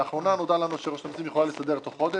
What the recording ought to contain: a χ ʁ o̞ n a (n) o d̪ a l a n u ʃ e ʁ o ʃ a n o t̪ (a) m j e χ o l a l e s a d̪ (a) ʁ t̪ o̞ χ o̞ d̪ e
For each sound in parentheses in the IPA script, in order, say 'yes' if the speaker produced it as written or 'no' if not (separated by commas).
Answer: yes, no, no